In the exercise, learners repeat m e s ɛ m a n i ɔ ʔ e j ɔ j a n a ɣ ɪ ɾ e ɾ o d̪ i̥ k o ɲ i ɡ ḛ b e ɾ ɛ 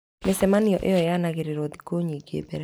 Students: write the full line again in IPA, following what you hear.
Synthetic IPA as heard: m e s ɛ m a n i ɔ ʔ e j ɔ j a n a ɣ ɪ ɾ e ɾ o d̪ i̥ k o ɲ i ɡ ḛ b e ɾ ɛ